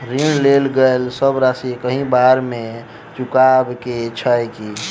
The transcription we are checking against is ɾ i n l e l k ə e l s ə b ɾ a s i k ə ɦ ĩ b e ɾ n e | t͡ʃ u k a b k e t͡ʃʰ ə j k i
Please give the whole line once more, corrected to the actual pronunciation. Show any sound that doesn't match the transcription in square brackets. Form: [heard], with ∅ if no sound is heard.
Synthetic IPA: ɾ i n l e l [ɡ] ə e l s ə b ɾ a s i k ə ɦ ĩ b [a] ɾ [m] e | t͡ʃ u k a b k e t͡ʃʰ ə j k i